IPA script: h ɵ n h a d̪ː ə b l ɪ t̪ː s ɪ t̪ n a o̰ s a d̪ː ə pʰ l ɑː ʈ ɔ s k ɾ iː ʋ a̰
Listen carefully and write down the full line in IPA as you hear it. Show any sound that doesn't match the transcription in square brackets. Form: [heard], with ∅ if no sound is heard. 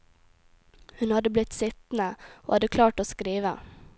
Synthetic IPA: h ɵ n h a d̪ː ə b l ɪ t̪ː s ɪ t̪ n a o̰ [h] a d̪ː ə [kʰ] l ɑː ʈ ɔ s k ɾ iː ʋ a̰